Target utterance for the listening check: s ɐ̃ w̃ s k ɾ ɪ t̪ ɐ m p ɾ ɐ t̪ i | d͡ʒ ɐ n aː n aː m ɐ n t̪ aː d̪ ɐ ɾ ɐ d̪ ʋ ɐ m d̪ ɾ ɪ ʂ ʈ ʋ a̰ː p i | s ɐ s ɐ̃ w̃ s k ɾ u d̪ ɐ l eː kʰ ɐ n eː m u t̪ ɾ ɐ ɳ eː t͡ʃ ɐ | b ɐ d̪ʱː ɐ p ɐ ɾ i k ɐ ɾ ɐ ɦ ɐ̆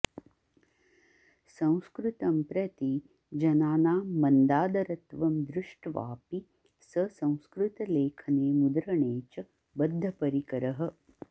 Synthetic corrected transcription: s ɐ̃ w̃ s k ɾ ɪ t̪ ɐ m p ɾ ɐ t̪ i | d͡ʒ ɐ n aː n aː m ɐ n d̪ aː d̪ ɐ ɾ ɐ t̪ ʋ ɐ m d̪ ɾ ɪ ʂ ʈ ʋ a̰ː p i | s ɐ s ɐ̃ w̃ s k ɾ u t̪ ɐ l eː kʰ ɐ n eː m u d̪ ɾ ɐ ɳ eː t͡ʃ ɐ | b ɐ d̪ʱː ɐ p ɐ ɾ i k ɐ ɾ ɐ ɦ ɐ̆